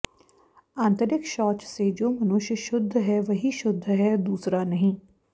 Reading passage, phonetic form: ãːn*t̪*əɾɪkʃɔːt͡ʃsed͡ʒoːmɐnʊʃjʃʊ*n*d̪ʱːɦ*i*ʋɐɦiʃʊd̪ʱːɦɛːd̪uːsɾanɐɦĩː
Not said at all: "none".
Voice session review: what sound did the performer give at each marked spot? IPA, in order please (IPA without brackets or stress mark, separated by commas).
t̪, none, ɛ